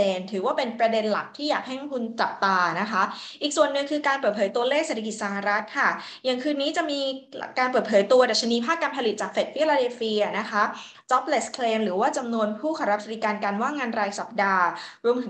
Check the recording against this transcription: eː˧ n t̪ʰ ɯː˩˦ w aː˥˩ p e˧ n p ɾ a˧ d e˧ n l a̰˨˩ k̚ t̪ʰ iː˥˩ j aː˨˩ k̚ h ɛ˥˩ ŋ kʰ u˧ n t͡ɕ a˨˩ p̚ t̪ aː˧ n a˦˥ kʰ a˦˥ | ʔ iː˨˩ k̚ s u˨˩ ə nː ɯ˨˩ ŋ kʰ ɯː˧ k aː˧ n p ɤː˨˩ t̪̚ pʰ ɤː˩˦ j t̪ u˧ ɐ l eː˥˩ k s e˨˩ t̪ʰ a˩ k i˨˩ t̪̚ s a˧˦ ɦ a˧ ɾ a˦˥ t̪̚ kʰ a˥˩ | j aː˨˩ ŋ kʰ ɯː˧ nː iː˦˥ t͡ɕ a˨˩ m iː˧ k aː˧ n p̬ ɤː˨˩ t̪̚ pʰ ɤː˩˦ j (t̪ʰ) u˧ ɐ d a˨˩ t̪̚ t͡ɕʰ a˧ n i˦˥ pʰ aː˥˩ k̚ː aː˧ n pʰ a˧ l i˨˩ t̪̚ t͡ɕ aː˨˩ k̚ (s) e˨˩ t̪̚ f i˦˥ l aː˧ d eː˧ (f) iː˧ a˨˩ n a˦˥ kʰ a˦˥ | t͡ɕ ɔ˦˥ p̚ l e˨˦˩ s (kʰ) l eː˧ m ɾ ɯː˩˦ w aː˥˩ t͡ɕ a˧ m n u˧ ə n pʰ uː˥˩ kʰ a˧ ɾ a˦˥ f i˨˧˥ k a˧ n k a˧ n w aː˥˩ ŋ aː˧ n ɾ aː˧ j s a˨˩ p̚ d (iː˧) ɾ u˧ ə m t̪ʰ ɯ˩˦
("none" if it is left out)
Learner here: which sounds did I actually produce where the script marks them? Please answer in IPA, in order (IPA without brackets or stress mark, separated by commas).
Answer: t̪, f, f, kʰ, aː˧